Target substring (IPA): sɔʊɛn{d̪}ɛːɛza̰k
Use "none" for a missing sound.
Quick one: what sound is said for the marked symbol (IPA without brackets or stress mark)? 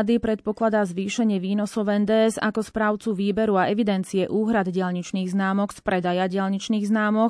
d̪